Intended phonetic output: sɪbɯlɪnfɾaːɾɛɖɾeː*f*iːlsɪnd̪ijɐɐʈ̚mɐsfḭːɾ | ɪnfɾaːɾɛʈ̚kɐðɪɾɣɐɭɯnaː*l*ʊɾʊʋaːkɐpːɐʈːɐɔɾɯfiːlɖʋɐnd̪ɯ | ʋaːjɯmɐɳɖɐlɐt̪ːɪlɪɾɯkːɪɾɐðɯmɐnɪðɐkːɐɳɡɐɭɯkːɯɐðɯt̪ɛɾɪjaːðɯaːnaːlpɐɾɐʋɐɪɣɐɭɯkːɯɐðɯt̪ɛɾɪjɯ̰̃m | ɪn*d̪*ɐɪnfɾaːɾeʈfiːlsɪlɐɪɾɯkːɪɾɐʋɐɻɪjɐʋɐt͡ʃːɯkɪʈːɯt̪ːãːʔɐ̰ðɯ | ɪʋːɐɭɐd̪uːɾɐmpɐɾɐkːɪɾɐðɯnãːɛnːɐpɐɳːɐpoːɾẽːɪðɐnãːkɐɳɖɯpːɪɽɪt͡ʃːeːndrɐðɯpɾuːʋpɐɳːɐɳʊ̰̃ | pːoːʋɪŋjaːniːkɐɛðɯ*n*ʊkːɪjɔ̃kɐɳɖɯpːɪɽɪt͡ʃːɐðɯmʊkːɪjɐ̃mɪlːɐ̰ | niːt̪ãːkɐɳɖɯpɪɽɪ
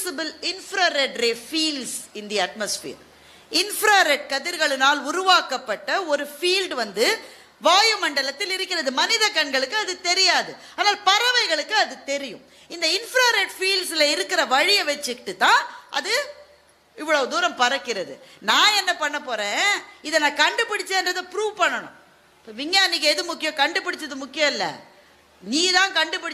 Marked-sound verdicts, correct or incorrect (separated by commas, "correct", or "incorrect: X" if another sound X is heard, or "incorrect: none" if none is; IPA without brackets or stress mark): correct, correct, correct, incorrect: m